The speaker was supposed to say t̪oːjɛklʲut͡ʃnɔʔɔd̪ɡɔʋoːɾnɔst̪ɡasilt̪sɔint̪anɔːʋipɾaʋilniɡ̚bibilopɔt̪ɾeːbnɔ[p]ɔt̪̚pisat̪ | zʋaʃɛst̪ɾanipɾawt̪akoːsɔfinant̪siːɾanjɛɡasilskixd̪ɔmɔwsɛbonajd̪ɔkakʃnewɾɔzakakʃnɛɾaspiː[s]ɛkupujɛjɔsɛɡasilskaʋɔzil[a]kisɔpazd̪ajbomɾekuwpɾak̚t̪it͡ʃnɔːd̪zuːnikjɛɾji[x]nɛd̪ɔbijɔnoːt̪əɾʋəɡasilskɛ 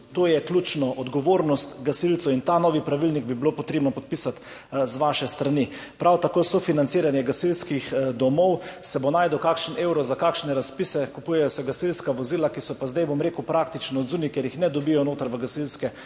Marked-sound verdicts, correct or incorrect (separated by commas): correct, correct, correct, correct